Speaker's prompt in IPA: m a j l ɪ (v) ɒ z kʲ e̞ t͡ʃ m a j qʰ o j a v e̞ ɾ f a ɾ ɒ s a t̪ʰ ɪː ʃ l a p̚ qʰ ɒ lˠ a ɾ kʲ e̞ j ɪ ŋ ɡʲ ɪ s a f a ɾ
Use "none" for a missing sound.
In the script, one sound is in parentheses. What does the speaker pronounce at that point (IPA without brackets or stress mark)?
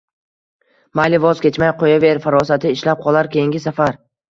v